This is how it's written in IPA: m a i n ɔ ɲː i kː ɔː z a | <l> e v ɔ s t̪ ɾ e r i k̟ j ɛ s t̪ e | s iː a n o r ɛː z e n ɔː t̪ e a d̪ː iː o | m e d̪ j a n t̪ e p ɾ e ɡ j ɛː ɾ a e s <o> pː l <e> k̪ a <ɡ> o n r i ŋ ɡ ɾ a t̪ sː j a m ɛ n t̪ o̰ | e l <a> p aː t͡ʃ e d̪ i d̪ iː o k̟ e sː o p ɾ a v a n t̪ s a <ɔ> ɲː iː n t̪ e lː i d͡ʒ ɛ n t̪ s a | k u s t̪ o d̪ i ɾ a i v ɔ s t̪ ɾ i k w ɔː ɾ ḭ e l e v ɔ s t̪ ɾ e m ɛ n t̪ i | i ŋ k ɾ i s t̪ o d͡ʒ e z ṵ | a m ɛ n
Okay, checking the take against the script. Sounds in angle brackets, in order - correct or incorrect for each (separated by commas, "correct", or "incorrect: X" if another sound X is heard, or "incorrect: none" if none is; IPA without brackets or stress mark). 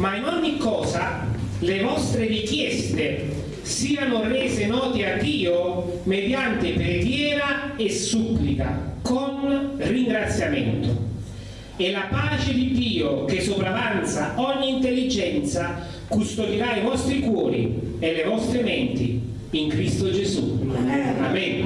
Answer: correct, incorrect: u, incorrect: i, incorrect: k, correct, correct